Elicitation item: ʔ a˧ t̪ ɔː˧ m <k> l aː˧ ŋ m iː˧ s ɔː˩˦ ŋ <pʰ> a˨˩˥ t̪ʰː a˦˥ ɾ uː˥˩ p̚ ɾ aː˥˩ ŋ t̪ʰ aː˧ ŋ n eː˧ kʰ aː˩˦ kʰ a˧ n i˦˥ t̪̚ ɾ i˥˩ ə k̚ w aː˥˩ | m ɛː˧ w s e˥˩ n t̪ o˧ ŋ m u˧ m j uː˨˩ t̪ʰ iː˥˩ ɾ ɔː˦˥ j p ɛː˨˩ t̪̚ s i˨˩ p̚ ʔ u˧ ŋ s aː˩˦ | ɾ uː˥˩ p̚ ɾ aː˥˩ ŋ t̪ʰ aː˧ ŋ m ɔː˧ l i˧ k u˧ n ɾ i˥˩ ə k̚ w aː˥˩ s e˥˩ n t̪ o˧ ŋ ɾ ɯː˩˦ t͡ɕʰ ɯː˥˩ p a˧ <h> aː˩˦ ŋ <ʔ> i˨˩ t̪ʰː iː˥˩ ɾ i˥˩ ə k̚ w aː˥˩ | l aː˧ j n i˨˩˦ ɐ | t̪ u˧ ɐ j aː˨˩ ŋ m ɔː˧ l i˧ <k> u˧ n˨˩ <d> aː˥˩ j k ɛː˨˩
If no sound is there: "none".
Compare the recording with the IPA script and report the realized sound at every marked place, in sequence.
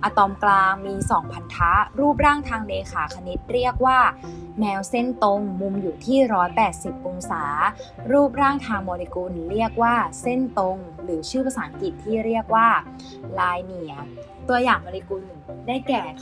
k, pʰ, s, k, k, d

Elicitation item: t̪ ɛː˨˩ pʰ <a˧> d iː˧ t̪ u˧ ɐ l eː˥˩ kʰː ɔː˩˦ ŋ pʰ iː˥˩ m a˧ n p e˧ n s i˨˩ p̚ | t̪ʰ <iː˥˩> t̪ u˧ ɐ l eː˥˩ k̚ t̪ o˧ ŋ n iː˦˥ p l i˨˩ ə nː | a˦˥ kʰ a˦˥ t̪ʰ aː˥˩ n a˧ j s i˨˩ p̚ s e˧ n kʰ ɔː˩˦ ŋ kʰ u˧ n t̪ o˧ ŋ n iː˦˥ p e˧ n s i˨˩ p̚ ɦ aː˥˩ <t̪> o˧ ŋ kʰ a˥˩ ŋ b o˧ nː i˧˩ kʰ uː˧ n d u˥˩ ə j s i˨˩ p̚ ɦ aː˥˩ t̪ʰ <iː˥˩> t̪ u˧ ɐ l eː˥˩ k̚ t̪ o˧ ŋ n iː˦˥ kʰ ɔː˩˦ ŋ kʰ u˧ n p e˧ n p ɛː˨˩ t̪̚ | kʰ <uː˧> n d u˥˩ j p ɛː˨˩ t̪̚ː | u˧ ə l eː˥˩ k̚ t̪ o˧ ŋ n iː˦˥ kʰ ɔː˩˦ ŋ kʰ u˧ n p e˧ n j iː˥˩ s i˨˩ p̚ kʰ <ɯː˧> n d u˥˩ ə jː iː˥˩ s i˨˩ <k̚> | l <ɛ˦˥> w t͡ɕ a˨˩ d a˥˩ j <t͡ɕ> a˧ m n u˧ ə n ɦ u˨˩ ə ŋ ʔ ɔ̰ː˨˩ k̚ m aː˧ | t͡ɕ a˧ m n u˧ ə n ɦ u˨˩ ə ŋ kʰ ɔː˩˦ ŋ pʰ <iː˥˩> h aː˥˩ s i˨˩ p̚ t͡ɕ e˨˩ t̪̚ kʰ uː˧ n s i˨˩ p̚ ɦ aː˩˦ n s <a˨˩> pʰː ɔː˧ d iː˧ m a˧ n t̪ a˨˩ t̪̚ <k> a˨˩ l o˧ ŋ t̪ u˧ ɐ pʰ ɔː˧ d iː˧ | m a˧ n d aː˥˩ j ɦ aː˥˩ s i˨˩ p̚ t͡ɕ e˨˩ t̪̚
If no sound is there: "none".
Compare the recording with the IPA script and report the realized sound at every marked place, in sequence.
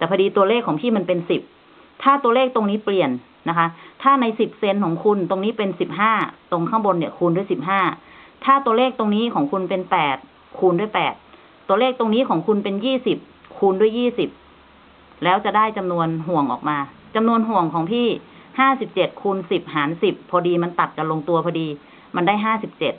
a˧, aː˥˩, t̪, aː˥˩, uː˧, uː˧, p̚, ɛː˦˥, t͡ɕ, iː˥˩, i˨˩, k

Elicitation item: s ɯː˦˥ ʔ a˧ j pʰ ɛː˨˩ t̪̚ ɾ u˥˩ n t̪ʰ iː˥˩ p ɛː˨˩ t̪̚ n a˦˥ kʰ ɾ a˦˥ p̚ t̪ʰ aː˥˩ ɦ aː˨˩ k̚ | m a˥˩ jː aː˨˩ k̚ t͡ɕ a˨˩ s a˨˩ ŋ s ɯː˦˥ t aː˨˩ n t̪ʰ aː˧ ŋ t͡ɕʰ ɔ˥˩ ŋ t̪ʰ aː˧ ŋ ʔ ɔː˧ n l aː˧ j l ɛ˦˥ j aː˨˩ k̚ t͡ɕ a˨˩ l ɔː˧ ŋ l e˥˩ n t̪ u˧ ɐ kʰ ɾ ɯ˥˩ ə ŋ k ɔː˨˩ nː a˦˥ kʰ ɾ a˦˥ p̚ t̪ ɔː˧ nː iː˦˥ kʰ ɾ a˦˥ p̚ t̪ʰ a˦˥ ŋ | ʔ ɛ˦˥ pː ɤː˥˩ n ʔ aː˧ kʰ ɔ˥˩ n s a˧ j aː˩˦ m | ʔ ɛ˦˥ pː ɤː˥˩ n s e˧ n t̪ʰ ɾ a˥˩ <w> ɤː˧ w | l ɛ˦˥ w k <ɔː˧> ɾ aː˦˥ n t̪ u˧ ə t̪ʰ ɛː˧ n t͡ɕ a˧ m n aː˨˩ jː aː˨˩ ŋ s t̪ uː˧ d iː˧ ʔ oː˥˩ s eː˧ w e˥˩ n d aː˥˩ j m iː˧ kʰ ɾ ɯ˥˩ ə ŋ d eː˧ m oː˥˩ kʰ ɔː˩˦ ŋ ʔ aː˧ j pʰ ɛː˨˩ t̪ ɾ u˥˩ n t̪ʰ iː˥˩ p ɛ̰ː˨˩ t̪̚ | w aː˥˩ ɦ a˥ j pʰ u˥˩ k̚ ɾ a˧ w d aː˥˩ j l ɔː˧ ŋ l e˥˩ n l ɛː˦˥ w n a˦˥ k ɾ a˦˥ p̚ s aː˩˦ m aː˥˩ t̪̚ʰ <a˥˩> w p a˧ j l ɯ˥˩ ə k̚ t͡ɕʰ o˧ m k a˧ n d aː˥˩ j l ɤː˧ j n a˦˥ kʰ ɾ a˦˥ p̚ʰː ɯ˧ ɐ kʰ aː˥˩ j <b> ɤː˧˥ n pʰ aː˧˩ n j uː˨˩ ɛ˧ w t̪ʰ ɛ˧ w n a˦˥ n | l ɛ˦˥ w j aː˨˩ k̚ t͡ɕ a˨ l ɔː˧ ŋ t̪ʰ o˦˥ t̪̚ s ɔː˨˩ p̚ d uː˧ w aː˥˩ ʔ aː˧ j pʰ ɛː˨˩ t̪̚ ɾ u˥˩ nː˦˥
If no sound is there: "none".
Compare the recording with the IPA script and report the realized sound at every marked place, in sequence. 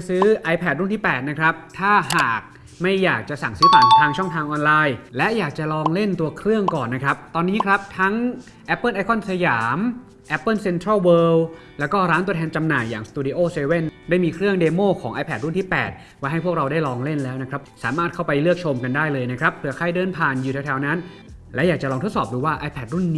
w, ɔː˥˩, a˥˩, d

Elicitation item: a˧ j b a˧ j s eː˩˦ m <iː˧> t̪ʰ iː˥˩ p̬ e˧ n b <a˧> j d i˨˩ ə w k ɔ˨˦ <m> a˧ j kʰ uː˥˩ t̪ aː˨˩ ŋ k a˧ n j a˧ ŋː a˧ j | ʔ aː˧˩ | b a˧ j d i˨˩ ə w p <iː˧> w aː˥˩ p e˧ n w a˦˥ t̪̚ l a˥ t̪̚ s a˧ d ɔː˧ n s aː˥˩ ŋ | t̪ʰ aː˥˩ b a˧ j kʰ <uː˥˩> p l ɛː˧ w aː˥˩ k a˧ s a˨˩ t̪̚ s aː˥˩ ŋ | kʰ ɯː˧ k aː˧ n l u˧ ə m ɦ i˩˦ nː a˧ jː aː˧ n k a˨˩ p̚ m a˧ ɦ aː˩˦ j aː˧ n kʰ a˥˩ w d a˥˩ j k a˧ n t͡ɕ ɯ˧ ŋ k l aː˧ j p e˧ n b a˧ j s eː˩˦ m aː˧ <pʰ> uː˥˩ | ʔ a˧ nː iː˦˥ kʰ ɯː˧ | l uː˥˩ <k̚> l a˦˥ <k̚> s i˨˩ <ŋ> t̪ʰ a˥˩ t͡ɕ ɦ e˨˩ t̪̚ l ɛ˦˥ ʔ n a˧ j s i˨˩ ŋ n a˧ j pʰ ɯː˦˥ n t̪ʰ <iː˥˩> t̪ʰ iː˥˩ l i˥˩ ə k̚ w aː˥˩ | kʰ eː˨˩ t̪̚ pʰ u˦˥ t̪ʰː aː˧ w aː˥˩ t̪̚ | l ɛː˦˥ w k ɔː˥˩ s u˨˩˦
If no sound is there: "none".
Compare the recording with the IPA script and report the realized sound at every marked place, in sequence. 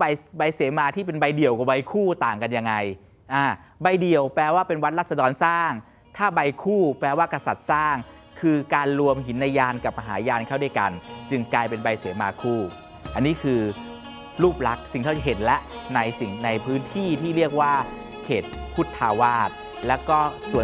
aː˧, a˧, b, ɛː˧, uː˥˩, kʰ, p̚, k̚, ŋ, iː˥˩

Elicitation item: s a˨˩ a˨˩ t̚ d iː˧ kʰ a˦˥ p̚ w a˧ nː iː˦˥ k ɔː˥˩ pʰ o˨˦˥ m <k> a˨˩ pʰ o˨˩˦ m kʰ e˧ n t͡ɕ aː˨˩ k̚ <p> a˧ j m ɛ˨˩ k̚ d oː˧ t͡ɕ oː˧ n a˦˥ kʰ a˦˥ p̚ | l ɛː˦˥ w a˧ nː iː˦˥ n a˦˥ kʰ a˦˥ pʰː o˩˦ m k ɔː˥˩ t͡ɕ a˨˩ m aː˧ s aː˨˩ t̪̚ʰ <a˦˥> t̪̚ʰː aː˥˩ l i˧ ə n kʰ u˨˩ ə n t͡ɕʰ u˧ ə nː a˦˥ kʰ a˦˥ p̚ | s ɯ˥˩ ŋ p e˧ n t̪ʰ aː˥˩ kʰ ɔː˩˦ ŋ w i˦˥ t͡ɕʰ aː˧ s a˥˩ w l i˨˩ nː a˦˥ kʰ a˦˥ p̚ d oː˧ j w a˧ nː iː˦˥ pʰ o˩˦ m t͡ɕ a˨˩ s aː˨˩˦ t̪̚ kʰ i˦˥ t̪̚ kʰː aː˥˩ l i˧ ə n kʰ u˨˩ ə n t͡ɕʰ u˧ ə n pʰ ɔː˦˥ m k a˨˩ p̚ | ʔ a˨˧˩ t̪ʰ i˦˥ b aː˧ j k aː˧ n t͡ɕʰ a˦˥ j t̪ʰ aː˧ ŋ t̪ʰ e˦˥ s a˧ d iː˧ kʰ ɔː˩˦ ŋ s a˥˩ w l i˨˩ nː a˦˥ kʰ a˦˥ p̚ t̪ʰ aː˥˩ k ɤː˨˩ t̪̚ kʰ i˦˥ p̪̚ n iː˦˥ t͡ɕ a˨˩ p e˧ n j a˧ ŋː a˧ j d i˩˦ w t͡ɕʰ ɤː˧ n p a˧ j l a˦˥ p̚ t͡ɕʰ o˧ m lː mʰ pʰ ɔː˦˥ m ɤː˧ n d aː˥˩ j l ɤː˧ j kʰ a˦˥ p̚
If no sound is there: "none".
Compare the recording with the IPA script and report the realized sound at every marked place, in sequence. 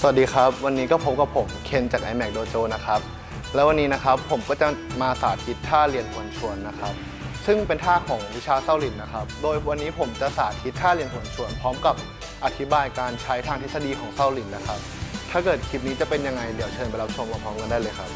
k, ʔ, i˦˥

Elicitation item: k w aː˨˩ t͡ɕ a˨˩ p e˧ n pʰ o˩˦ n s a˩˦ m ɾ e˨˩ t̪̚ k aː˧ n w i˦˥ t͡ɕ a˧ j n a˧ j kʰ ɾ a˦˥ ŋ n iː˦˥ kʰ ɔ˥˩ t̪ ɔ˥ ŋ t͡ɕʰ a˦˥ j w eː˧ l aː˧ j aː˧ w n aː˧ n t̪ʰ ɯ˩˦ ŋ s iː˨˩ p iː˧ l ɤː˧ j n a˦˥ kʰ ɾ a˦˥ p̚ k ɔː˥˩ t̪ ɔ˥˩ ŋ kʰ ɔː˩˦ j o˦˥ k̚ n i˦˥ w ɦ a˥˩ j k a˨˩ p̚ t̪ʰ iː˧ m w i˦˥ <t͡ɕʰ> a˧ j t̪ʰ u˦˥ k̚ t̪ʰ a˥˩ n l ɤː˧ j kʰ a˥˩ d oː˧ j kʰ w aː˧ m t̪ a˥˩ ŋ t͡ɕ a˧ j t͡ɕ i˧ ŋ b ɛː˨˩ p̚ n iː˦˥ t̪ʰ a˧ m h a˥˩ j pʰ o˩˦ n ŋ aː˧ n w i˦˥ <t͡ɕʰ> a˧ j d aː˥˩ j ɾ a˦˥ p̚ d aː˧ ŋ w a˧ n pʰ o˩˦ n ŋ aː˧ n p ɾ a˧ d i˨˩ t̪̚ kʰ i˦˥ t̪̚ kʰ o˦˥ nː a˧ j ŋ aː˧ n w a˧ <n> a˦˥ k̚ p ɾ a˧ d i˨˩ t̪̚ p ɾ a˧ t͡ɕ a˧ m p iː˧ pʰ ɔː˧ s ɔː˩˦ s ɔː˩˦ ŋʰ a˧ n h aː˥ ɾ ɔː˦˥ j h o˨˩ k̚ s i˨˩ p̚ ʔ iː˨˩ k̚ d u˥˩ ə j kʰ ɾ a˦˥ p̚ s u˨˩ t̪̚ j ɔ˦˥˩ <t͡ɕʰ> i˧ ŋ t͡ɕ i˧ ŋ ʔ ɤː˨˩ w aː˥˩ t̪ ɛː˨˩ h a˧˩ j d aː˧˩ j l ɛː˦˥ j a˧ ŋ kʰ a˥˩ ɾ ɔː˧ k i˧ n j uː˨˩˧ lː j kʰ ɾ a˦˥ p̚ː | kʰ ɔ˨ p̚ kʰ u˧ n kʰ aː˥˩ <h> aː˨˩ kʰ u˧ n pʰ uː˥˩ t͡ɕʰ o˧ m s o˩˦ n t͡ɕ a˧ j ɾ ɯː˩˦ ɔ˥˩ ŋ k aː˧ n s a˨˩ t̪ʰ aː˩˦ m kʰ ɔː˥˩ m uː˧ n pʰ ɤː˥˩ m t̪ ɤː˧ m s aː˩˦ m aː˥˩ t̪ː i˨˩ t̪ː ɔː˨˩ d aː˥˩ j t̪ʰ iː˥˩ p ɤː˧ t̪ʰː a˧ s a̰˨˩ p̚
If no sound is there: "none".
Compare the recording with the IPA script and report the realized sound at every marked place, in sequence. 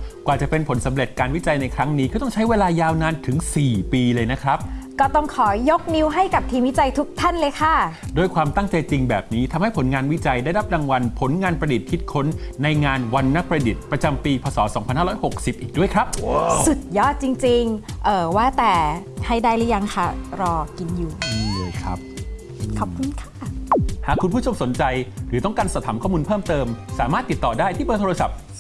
t͡ɕ, t͡ɕ, nː, t͡ɕ, h

